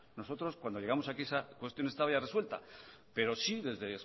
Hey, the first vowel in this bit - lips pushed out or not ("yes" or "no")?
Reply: yes